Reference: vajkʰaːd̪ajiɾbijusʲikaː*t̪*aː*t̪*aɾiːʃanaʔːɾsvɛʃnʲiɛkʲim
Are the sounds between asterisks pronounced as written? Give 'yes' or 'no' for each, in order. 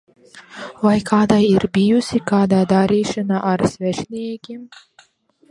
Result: no, no

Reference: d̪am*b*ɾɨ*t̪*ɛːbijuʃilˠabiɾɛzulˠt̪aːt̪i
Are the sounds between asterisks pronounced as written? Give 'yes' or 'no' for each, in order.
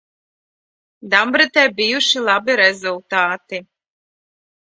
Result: yes, yes

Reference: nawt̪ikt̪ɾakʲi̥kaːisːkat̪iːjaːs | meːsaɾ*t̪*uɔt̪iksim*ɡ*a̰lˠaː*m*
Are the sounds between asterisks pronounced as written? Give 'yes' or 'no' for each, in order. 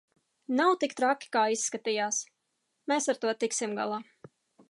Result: yes, yes, no

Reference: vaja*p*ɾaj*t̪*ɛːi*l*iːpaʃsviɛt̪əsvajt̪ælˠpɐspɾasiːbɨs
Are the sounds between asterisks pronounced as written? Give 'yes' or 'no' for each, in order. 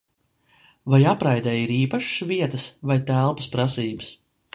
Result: yes, no, no

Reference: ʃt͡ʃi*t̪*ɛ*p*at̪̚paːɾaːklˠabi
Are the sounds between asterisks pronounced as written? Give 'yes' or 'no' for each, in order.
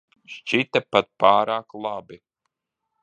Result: yes, yes

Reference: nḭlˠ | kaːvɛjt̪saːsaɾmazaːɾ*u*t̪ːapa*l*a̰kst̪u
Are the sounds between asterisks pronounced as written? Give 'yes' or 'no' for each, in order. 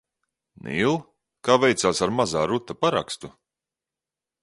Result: yes, no

